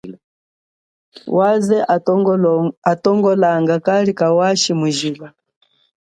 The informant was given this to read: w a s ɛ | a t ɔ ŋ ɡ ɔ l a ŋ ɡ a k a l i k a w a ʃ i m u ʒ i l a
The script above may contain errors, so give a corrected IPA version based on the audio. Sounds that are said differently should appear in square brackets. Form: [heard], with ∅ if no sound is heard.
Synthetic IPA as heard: w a [z] ɛ | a t ɔ ŋ ɡ ɔ l a ŋ ɡ a k a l i k a w a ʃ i m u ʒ i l a